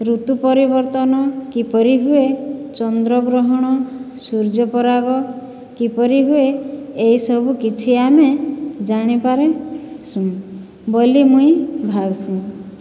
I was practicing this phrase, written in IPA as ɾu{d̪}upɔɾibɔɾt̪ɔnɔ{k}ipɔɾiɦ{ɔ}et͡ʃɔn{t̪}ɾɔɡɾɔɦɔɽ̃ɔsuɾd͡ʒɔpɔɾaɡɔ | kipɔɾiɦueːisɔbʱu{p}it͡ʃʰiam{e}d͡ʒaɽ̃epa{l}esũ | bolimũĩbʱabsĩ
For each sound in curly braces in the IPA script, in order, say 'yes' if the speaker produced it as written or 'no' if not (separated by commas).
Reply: no, yes, no, no, no, yes, no